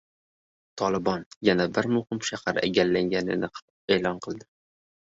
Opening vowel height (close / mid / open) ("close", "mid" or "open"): open